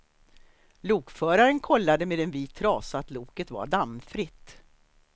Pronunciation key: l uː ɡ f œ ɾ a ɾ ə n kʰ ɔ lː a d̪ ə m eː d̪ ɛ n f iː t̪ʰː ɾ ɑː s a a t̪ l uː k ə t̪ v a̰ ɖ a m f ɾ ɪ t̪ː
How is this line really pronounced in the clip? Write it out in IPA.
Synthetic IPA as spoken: l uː k f œː ɾ a ɾ ə n kʰ ɔ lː a d̪ ə m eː d̪ ɛ n v iː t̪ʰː ɾ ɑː s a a t̪ l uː k ə t̪ v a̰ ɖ a m f ɾ ɪ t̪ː